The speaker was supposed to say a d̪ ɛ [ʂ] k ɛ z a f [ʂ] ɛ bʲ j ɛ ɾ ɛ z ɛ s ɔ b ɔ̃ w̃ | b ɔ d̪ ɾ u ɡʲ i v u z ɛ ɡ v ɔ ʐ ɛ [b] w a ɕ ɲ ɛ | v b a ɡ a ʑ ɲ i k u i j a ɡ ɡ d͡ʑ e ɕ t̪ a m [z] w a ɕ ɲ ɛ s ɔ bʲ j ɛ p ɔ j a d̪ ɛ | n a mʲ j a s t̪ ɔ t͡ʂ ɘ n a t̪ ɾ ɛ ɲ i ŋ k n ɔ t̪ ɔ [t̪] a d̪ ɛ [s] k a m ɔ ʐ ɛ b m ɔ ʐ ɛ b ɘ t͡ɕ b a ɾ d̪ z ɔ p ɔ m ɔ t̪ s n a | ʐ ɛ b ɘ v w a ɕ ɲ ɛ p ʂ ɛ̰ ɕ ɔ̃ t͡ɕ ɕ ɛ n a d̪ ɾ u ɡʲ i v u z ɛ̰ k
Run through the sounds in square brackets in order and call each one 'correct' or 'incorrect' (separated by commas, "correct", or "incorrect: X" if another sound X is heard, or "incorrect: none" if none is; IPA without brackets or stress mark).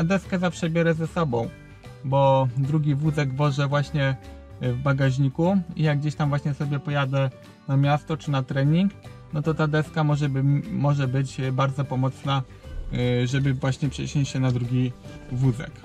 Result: incorrect: s, correct, incorrect: v, incorrect: v, correct, correct